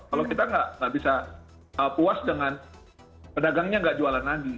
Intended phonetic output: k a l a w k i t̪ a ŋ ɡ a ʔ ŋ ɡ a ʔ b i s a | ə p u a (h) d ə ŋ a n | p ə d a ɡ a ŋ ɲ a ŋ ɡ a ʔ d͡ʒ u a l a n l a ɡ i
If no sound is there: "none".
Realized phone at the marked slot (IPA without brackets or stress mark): s